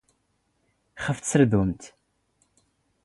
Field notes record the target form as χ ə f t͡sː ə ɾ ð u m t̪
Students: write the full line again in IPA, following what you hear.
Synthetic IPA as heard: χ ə f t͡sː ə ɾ ð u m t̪